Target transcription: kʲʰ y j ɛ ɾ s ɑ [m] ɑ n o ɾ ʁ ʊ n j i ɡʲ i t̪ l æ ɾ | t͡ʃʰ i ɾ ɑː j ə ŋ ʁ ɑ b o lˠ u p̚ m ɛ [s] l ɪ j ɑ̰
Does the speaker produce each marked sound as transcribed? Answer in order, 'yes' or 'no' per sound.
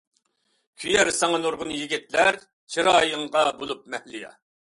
no, no

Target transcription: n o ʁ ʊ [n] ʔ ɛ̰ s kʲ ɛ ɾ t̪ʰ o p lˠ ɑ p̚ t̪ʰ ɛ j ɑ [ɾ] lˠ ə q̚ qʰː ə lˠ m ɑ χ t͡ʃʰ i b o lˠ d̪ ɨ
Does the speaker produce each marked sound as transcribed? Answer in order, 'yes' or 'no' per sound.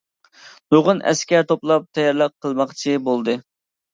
yes, yes

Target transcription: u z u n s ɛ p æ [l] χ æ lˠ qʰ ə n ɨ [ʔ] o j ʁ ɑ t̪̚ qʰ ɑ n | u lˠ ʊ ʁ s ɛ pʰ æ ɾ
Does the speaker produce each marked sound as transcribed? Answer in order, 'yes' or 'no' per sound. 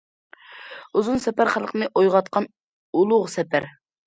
no, yes

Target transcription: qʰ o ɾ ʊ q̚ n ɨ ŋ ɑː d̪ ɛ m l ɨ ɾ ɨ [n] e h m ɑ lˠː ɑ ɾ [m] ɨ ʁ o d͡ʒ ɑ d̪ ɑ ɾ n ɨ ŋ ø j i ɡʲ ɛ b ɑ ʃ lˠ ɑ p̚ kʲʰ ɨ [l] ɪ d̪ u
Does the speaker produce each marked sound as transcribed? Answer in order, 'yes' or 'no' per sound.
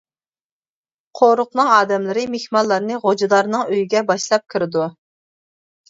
no, no, no

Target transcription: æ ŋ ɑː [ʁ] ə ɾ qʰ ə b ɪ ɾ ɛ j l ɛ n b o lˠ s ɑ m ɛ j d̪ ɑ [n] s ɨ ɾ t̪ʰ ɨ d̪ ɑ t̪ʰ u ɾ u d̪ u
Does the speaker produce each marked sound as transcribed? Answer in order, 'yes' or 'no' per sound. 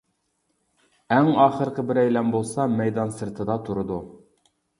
no, yes

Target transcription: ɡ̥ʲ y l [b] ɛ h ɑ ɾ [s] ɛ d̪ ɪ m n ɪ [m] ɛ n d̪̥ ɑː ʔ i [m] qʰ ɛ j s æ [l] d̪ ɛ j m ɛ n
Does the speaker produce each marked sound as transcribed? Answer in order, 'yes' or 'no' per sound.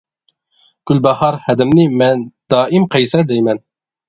yes, no, yes, yes, no

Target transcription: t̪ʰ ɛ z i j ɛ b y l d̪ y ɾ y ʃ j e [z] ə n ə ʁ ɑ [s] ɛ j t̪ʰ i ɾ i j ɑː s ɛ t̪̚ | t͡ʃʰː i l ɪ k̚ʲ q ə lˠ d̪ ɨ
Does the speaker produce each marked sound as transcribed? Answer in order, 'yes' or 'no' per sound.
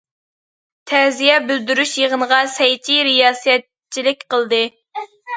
no, yes

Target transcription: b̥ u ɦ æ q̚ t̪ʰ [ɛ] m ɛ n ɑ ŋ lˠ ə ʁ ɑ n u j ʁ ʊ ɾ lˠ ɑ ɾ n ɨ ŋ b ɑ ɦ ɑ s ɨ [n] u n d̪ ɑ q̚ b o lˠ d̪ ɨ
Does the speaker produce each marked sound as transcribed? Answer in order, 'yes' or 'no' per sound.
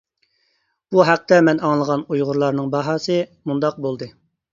yes, no

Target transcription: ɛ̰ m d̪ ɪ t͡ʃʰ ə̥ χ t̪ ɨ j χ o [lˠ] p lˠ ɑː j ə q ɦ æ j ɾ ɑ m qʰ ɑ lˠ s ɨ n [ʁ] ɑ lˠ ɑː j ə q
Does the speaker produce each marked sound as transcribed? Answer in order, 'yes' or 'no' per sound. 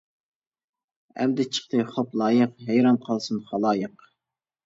no, no

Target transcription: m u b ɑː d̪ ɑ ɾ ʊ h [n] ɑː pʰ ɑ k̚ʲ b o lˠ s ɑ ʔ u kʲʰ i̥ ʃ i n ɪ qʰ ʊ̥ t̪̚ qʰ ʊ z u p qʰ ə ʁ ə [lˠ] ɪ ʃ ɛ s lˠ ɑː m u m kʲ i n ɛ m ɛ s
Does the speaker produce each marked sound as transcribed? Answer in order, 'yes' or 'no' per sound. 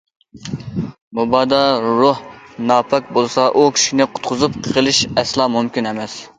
yes, yes

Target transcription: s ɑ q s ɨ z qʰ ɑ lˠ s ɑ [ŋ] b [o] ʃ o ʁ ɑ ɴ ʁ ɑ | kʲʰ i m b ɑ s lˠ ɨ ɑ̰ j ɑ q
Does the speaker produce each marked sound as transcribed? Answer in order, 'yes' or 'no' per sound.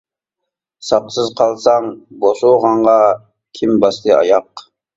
yes, yes

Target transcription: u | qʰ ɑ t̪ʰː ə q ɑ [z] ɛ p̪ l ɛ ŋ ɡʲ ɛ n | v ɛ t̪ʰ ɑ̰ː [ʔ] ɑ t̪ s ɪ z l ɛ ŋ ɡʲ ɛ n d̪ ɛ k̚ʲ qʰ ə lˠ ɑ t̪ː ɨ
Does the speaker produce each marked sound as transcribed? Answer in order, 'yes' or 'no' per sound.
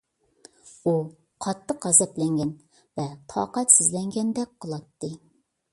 yes, no

